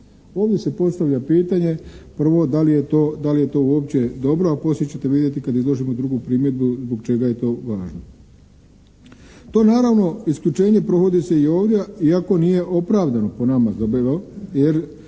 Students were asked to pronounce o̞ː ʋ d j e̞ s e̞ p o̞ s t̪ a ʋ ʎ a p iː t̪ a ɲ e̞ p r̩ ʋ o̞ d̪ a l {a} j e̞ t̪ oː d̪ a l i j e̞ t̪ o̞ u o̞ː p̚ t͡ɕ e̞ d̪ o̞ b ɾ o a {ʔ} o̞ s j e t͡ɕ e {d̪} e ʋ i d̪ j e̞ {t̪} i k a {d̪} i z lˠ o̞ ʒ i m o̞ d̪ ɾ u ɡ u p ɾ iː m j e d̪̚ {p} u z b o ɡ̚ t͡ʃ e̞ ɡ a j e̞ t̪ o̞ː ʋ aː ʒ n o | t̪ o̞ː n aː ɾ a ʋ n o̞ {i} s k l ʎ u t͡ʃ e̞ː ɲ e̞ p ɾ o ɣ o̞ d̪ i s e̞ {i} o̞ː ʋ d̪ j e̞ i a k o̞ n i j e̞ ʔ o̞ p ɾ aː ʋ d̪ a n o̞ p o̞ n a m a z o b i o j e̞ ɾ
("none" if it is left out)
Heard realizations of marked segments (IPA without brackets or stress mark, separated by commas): i, p, t̪, t̪, d̪, b, i, i